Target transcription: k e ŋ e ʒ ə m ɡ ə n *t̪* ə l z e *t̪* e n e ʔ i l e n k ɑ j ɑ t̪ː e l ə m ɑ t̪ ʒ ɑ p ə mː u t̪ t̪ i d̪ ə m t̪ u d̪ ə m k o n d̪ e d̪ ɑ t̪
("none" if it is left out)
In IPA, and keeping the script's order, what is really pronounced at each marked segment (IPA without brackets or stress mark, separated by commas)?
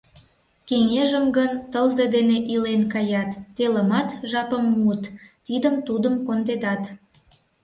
t̪, d̪